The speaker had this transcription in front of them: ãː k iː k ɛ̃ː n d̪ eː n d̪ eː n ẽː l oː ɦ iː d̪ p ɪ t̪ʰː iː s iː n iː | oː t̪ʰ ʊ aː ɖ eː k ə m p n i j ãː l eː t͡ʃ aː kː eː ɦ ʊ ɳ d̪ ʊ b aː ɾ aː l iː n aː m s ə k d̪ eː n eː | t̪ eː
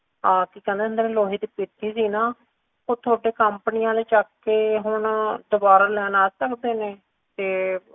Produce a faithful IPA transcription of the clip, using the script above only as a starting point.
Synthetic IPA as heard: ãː k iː k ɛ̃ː n d̪ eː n d̪ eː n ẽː l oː ɦ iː d̪ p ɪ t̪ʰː iː s iː n aː | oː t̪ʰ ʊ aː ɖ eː k ə m p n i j ãː l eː t͡ʃ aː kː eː ɦ ʊ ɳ d̪ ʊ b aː ɾ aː l ɛː n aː s ə k d̪ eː n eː | t̪ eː